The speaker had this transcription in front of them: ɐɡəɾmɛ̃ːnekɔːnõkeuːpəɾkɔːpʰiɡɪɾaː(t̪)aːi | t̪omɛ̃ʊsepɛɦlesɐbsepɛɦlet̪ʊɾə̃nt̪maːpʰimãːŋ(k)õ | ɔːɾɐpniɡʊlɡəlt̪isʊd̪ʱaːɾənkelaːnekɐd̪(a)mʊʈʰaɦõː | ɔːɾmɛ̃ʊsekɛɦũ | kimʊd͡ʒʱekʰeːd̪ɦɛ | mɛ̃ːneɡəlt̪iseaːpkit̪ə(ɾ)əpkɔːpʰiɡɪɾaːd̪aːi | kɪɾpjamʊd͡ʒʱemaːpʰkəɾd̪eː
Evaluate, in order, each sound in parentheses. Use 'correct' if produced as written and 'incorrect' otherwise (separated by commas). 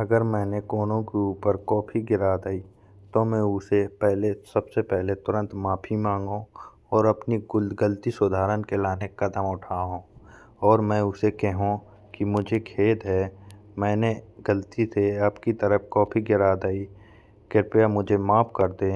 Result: incorrect, incorrect, incorrect, correct